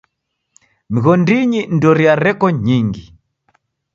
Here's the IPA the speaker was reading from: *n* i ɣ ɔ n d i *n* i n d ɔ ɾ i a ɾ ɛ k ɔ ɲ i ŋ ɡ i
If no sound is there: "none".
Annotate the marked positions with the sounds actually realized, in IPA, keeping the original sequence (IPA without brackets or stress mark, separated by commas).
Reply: m, ɲ